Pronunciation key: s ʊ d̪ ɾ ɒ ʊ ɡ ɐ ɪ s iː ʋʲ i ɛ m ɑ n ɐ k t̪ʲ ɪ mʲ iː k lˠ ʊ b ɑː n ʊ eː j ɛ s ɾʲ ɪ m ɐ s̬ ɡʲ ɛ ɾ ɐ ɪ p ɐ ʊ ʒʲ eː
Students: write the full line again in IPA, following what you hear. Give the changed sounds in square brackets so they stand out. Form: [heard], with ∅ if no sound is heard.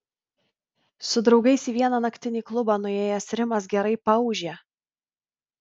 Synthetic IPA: s ʊ d̪ ɾ ɒ ʊ ɡ ɐ ɪ s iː ʋʲ i ɛ [n] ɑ n ɐ k t̪ʲ ɪ [nʲ] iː k lˠ ʊ b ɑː n ʊ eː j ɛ s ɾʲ ɪ m ɐ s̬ ɡʲ ɛ ɾ ɐ ɪ p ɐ ʊ ʒʲ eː